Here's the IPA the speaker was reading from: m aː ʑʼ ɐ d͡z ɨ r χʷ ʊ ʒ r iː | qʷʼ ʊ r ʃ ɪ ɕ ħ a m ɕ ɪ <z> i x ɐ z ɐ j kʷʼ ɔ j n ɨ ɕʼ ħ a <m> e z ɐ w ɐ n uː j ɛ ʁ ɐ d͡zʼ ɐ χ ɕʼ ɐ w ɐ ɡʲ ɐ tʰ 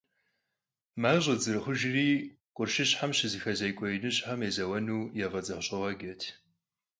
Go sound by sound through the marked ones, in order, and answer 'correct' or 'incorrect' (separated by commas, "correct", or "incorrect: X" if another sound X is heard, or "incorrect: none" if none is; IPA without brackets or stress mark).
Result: correct, correct